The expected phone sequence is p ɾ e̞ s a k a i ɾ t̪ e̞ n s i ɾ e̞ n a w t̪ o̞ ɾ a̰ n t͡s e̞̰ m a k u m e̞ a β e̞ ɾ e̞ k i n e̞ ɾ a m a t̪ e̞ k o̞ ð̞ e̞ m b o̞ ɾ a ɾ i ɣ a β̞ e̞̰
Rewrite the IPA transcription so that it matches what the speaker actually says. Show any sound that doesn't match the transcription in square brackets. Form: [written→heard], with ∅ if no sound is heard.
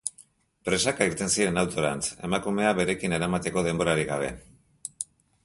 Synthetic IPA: p ɾ e̞ s a k a i ɾ t̪ e̞ n s i ɾ e̞ n a w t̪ o̞ ɾ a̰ n t͡s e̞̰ m a k u m e̞ a β e̞ ɾ e̞ k i n e̞ ɾ a m a t̪ e̞ k o̞ ð̞ e̞ m b o̞ ɾ a ɾ i ɣ a β̞ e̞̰